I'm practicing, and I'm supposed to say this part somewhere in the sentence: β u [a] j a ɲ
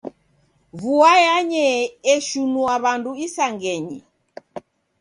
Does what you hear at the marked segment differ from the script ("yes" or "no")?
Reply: no